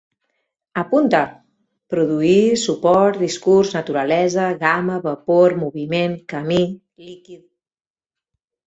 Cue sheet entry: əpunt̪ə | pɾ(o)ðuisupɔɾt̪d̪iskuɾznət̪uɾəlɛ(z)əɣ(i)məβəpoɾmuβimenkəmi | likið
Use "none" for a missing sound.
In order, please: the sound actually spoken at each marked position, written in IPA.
u, z, a

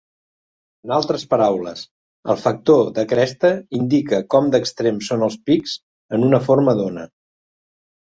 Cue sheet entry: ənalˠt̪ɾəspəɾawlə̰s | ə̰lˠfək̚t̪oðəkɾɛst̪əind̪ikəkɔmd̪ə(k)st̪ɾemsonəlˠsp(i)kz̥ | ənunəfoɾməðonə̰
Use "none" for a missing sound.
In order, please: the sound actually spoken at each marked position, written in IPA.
k, i

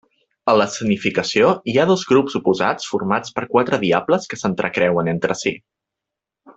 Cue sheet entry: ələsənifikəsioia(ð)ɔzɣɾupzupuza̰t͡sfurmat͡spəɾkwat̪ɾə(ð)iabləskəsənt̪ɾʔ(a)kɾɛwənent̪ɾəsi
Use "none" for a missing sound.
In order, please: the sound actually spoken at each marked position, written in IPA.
ð, ð, ə

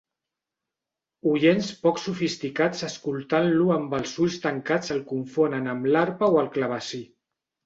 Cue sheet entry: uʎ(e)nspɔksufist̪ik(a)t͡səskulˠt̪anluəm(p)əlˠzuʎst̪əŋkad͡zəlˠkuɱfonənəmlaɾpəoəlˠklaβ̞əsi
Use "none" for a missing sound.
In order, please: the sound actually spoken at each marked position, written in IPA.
e, a, b

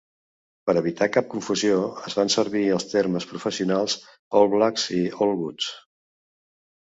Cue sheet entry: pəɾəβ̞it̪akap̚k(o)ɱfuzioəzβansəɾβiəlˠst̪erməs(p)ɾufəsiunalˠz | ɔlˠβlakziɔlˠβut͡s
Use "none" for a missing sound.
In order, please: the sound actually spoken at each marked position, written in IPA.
u, p

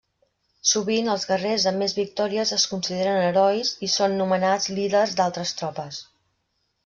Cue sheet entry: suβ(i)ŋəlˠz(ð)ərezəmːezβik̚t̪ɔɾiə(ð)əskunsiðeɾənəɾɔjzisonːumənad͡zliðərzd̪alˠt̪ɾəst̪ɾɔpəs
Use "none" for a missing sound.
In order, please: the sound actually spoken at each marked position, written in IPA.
i, ɣ, z

